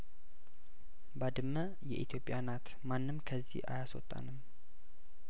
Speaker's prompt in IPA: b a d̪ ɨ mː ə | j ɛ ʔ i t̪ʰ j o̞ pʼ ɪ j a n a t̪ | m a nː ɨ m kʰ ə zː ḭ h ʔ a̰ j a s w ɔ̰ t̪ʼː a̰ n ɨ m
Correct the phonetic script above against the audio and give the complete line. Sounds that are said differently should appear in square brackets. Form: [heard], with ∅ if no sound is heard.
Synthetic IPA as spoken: b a d̪ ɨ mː ə | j ɛ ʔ i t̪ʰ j o̞ pʼ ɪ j a n a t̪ | m a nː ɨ m kʰ ə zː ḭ h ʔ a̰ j a s w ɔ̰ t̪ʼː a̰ n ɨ m